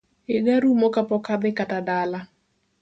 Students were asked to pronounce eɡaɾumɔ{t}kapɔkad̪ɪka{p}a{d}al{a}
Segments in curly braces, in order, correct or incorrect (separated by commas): incorrect, incorrect, correct, correct